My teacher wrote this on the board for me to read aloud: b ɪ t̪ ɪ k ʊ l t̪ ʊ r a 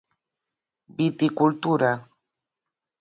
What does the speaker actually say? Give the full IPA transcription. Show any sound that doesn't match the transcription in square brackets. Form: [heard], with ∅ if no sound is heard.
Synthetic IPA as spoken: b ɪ t̪ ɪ k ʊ l t̪ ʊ [ɾ] a